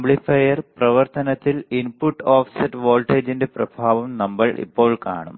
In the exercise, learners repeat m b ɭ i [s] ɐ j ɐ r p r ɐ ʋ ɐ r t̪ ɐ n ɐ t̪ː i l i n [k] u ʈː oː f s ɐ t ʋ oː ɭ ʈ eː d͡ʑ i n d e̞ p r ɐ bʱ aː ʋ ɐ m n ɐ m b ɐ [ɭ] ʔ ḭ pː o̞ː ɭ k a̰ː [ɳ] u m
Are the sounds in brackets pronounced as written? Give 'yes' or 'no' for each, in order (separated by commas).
no, no, yes, yes